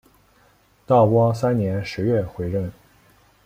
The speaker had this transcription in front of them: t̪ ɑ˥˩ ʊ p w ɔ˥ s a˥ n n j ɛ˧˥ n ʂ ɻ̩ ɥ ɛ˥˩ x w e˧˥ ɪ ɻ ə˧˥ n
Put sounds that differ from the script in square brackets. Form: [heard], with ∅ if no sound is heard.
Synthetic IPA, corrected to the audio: t̪ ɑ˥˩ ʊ p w ɔ˥ s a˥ n n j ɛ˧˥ n ʂ ɻ̩ ɥ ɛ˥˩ x w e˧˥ ɪ ɻ [ə˥˩] n